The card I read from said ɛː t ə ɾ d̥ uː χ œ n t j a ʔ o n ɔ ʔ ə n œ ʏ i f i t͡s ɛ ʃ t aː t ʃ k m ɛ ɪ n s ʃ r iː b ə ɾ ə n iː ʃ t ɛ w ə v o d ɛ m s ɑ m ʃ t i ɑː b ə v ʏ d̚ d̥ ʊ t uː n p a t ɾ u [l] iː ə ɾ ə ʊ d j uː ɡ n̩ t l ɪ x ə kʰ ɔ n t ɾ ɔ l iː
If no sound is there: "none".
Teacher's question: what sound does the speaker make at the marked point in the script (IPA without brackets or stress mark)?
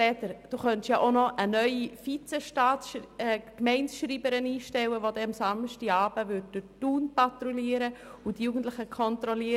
l